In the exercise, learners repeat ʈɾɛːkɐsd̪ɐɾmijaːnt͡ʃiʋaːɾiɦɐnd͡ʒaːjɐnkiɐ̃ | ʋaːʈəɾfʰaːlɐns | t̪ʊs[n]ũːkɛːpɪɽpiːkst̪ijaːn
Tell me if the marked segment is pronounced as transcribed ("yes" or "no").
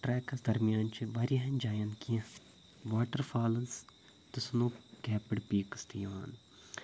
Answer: yes